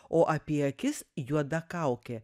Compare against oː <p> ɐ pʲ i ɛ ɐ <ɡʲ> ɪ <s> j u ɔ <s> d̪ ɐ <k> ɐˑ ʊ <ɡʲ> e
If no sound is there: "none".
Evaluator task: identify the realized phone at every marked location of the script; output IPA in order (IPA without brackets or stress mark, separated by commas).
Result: ʔ, kʲ, s, none, k, kʲ